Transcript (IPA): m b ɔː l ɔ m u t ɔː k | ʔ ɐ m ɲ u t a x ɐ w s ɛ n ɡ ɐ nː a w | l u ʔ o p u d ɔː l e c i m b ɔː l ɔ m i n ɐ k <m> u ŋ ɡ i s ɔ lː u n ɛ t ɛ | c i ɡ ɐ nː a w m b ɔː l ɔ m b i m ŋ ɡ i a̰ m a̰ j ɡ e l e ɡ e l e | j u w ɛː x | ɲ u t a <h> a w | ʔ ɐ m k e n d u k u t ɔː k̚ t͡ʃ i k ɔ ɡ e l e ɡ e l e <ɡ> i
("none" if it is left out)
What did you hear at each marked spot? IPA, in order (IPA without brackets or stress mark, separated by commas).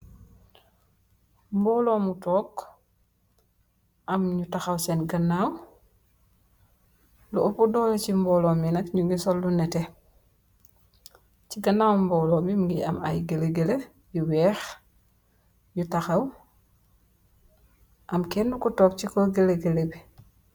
ɲ, x, b